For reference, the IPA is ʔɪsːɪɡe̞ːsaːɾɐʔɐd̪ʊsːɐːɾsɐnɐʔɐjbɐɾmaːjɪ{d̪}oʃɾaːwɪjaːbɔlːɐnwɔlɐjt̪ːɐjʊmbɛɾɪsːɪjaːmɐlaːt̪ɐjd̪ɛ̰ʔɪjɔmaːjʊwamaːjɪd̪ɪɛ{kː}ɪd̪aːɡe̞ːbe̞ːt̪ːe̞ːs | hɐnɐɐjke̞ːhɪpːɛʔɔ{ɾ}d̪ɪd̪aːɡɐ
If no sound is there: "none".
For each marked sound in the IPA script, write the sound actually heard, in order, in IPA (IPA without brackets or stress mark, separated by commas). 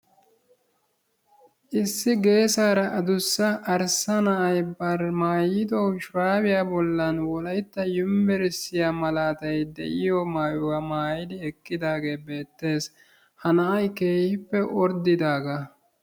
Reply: d̪, kː, ɾ